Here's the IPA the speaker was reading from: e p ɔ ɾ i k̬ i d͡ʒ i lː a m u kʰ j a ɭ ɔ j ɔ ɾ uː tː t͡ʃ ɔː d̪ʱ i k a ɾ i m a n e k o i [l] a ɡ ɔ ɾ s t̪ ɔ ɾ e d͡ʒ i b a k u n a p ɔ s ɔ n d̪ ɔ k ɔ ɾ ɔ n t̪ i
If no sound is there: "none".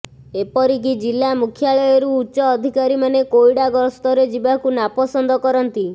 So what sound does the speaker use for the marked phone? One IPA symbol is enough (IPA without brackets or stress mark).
ɽ